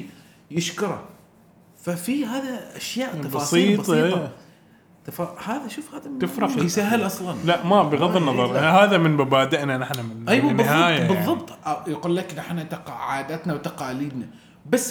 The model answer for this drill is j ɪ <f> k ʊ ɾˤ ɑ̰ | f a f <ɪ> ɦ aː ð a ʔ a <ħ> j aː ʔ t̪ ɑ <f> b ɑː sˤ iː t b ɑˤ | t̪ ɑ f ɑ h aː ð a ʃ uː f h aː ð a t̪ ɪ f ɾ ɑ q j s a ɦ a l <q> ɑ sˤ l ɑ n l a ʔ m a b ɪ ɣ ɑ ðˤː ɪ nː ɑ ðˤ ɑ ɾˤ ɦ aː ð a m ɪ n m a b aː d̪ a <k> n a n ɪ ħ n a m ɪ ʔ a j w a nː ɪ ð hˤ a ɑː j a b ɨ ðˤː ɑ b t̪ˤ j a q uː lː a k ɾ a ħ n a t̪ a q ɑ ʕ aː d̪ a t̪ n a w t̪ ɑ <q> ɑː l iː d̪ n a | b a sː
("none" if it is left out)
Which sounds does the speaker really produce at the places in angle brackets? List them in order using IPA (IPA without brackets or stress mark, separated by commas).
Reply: ʃ, i, ʃ, f, ʔ, ʔ, q